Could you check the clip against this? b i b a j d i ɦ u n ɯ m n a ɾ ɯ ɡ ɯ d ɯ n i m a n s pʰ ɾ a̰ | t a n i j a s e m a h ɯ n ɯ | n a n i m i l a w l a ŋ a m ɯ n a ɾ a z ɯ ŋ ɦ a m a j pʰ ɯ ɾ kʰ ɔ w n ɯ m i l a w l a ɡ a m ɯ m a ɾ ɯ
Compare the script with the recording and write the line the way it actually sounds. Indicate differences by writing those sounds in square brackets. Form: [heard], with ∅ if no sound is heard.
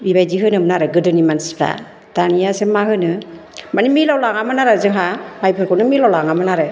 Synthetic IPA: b i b a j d i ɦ [ɯ] n ɯ m n a ɾ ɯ ɡ ɯ d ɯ n i m a n s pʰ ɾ a̰ | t a n i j a s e m a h ɯ n ɯ | [m] a n i m i l a w l a ŋ a m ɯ n a ɾ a z ɯ ŋ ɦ a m a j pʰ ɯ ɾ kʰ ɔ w n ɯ m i l a w l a [ŋ] a m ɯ [n] a ɾ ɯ